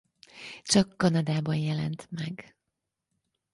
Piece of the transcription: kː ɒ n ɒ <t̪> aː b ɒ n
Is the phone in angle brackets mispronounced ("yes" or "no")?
yes